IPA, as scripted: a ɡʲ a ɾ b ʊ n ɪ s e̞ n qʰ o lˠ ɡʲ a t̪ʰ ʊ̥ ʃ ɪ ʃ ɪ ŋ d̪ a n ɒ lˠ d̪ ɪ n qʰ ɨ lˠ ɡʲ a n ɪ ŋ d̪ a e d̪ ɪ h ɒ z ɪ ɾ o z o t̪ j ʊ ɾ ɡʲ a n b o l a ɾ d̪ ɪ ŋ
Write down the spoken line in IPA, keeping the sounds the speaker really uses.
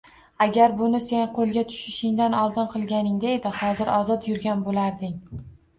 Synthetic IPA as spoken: a ɡʲ a ɾ b ʊ n ɪ s e̞ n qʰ o lˠ ɡʲ a t̪ʰ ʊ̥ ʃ ɪ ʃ ɪ ŋ d̪ a n ɒ lˠ d̪ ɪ n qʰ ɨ lˠ ɡʲ a n ɪ ŋ d̪ a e d̪ ɪ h ɒ z ɪ ɾ ɒ z ɒ t̪ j ʊ ɾ ɡʲ a n b o l a ɾ d̪ ɪ ŋ